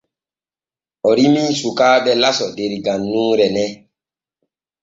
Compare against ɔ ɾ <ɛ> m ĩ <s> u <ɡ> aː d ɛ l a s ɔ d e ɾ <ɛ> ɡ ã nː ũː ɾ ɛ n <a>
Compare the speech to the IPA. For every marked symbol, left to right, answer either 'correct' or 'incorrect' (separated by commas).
incorrect, correct, incorrect, incorrect, incorrect